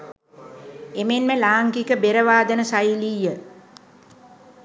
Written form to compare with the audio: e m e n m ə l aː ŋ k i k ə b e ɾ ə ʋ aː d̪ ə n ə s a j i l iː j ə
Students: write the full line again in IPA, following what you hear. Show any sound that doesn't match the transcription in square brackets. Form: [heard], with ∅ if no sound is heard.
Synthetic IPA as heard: e m e n m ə l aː ŋ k i k ə b e ɾ ə ʋ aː d̪ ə n ə s a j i l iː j ə